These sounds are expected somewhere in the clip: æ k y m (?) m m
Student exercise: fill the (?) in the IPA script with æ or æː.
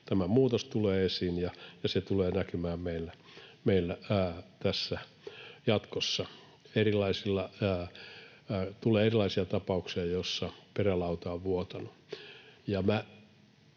æː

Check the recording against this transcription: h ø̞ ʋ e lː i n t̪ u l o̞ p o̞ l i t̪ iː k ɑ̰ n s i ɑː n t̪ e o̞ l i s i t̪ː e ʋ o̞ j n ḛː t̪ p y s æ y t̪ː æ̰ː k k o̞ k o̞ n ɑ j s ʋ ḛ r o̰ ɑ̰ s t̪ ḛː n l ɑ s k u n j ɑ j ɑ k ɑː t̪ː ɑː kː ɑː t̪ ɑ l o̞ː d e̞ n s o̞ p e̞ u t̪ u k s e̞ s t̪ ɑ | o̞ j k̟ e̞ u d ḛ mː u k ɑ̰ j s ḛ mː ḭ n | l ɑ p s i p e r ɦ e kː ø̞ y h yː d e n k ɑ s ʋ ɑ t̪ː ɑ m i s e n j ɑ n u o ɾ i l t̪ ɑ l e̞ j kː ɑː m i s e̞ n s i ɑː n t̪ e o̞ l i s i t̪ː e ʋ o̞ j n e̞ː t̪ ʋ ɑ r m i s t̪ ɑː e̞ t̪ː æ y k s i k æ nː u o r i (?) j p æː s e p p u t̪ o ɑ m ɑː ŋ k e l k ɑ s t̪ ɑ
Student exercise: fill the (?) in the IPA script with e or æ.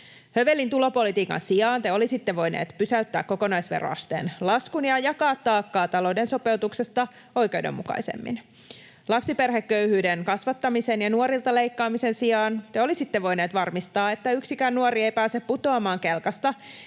e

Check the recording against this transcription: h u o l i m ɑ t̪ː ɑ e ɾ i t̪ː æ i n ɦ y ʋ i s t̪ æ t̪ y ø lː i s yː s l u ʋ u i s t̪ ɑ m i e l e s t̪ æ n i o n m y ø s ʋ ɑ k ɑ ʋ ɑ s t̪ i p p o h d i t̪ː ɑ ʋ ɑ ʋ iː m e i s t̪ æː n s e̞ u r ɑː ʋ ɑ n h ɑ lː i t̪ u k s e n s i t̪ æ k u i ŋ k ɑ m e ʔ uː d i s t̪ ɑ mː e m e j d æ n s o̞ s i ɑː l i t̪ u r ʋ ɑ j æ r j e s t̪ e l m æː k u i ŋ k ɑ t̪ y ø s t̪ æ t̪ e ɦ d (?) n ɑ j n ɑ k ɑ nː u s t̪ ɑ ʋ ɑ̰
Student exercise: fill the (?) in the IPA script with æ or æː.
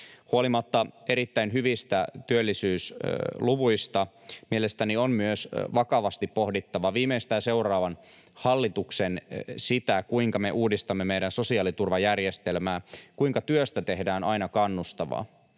æː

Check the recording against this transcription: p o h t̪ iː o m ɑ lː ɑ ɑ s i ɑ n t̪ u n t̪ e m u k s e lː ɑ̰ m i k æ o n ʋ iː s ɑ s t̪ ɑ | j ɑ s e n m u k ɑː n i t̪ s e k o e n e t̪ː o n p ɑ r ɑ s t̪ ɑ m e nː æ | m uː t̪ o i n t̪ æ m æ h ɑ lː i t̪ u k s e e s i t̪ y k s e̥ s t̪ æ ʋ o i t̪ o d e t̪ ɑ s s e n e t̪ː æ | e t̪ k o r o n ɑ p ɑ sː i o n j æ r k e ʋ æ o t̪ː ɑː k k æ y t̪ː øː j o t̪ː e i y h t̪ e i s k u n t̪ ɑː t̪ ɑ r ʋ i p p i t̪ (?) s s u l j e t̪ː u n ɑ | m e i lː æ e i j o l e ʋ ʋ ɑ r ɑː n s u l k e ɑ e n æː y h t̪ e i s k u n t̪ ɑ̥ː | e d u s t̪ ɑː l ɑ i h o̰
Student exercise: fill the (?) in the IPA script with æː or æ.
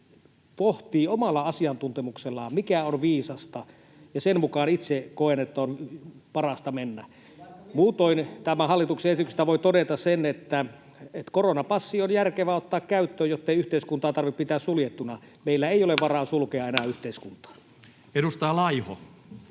æː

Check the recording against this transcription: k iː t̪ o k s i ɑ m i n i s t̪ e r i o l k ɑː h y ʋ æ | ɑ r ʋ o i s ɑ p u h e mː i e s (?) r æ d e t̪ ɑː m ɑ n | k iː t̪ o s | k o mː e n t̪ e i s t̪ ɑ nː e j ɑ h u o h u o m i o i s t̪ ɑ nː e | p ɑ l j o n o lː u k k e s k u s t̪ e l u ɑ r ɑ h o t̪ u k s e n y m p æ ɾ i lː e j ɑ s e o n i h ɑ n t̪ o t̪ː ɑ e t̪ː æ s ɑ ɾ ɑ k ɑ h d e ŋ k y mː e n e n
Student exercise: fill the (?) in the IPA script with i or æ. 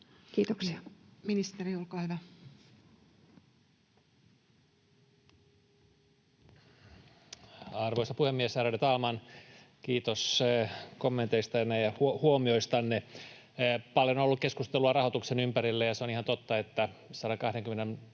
æ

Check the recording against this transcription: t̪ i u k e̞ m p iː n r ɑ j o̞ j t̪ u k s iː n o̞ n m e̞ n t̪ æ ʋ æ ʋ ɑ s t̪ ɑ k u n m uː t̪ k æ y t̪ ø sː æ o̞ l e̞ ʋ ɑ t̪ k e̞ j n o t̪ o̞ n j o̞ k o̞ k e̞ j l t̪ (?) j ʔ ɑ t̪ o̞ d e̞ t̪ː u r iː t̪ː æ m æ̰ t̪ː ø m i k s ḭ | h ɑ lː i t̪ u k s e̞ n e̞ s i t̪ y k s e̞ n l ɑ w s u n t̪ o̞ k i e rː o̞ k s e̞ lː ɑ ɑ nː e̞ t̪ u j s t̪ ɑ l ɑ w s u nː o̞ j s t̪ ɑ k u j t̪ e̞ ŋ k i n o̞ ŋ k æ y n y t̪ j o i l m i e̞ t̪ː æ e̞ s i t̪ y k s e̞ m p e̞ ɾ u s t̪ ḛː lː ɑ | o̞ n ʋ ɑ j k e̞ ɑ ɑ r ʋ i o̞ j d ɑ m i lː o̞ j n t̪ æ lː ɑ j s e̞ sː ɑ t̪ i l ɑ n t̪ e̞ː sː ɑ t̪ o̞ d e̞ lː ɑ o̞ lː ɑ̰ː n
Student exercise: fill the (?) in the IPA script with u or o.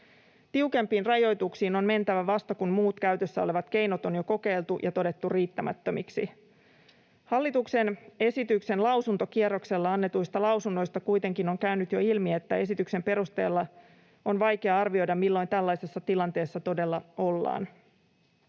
u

